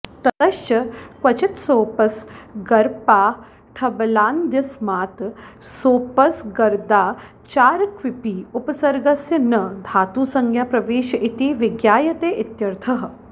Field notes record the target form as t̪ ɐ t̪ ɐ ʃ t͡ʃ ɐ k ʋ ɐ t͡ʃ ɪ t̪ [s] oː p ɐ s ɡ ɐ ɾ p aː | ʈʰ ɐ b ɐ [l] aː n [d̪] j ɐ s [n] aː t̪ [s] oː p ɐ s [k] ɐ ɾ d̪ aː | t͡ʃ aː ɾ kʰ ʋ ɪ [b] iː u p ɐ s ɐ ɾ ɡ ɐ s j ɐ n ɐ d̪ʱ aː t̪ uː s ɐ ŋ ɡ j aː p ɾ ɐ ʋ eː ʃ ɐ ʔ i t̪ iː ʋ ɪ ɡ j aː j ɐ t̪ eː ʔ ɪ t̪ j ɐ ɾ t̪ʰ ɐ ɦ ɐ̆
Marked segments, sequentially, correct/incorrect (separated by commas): correct, correct, correct, incorrect, correct, incorrect, incorrect